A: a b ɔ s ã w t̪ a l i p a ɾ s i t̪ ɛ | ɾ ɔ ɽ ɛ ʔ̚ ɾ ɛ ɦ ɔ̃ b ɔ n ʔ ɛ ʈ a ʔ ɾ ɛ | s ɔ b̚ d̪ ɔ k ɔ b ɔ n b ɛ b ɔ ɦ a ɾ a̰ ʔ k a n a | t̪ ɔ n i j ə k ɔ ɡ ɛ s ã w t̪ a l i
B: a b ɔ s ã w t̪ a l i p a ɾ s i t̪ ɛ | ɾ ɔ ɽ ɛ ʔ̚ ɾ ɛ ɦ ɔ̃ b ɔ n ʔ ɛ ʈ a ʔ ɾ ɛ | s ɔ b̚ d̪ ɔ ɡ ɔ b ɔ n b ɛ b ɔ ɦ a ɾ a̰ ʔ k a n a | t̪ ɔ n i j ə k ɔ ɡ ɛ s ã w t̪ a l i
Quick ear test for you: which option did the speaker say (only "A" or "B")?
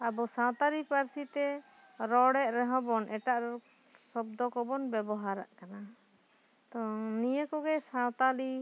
A